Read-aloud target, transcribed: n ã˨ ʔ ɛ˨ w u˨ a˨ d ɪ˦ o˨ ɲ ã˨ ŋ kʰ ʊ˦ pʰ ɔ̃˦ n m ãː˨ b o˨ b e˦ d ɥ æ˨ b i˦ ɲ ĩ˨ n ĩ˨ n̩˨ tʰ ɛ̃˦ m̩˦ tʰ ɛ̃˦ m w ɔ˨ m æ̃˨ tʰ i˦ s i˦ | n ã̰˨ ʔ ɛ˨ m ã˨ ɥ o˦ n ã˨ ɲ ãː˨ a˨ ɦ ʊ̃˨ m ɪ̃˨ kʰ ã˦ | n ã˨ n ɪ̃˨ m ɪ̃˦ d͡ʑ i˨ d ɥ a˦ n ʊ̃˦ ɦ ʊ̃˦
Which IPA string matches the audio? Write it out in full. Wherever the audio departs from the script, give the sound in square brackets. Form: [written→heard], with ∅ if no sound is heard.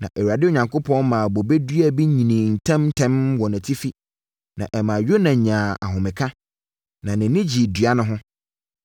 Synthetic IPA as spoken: n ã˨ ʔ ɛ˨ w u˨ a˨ d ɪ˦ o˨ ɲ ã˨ ŋ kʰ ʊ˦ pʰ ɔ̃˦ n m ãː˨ b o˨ b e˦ d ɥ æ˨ b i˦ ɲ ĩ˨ n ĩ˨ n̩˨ tʰ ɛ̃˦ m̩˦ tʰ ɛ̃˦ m w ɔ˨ [m→n] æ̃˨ tʰ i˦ [s→f] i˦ | n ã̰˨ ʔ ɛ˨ m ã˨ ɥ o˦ n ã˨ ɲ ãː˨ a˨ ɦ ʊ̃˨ m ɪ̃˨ kʰ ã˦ | n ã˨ n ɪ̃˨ [m→n] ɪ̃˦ d͡ʑ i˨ d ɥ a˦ n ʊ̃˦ ɦ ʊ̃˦